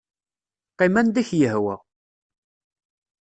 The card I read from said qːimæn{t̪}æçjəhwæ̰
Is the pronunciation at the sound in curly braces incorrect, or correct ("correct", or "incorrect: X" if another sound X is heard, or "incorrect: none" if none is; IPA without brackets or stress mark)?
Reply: incorrect: d̪